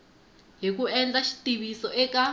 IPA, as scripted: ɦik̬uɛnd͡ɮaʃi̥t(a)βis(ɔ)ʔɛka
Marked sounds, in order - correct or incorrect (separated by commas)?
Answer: incorrect, correct